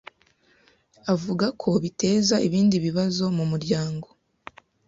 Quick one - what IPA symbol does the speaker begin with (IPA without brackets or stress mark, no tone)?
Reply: a